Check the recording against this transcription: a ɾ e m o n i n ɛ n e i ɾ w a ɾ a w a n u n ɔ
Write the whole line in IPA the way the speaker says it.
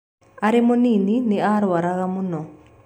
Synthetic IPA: a ɾ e m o n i n i n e a ɾ w a ɾ a ɣ a m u n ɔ

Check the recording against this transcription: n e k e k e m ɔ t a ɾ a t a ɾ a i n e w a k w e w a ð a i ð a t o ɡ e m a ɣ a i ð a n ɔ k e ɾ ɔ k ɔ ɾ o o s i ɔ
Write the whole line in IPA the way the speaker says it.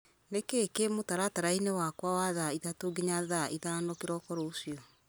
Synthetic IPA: n e k e k e m o t a ɾ a t a ɾ a i n e w a k w a w a ð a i ð a t o ɡ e ɲ a ð a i ð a n ɔ k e ɾ ɔ k ɔ ɾ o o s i ɔ

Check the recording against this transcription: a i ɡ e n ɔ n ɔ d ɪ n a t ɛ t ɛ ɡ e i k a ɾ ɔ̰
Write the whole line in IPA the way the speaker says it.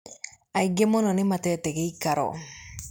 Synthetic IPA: a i ɡ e m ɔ n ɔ n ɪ m a t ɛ t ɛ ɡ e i k a ɾ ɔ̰

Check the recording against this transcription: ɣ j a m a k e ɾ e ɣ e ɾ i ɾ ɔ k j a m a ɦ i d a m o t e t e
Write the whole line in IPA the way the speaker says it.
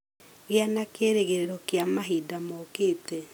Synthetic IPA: ɣ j a n a k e ɾ e ɣ e ɾ e ɾ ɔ k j a m a ɦ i d a m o k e t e

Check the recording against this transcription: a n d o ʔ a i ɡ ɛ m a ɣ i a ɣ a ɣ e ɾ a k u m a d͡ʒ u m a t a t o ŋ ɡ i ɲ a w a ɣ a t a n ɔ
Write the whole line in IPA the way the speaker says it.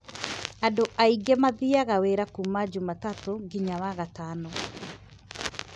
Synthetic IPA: a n d o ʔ a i ɡ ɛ m a ð i a ɣ a w e ɾ a k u m a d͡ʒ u m a t a t o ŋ ɡ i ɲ a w a ɣ a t a n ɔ

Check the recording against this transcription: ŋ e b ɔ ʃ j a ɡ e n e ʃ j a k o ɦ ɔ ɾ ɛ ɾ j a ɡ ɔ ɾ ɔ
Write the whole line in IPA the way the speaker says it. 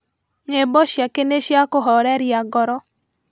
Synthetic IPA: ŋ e b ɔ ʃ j a k e n e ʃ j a k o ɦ ɔ ɾ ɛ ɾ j a ɡ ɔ ɾ ɔ

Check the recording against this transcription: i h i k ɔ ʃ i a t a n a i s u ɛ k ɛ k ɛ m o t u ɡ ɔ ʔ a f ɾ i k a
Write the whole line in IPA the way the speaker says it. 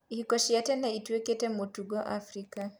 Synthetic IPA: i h i k ɔ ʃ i a t ɛ n a i t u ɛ k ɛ t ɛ m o t u ɡ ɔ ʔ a f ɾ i k a

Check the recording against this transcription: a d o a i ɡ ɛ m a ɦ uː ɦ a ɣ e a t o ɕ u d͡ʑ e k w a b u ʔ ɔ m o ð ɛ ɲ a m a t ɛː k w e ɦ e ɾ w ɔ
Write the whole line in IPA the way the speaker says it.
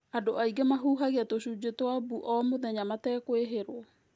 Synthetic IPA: a d o a i ɡ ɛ m a ɦ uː ɦ a ɣ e a t o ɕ u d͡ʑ e t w a b u ʔ ɔ m o ð ɛ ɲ a m a t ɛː k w e ɦ e ɾ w ɔ

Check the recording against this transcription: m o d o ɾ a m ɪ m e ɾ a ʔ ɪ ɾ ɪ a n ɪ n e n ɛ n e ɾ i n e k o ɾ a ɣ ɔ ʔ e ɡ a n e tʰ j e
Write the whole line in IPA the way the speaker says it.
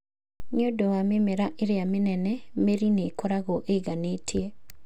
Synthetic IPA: ɲ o d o a m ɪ m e ɾ a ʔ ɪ ɾ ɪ a m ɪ n ɛ n ɛ m e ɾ i n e k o ɾ a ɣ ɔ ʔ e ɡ a n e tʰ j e

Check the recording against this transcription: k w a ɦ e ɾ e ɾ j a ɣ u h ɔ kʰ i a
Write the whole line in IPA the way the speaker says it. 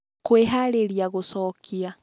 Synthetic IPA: k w e ɦ a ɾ e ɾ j a ɣ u s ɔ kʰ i a

